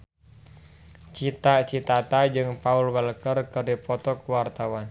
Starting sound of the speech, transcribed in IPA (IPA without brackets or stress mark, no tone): t͡ʃ